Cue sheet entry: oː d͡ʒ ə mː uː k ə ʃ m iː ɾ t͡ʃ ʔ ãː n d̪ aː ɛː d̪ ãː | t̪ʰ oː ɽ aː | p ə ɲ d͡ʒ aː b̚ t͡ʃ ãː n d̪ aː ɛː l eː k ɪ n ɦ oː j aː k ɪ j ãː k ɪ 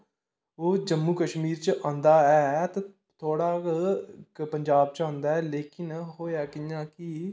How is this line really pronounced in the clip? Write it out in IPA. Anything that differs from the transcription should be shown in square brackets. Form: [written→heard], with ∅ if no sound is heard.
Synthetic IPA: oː d͡ʒ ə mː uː k ə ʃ m iː ɾ t͡ʃ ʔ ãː n d̪ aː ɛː [d̪→t̪] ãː | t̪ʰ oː ɽ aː | p ə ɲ d͡ʒ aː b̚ t͡ʃ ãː n d̪ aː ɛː l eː k ɪ n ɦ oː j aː k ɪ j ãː k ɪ